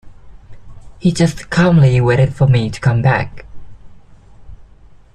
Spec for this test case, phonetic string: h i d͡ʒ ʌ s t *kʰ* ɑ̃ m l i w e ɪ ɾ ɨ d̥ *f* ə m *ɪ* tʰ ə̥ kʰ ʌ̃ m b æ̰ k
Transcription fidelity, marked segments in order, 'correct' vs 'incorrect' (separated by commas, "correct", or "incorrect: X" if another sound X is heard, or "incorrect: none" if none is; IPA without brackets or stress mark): correct, correct, incorrect: i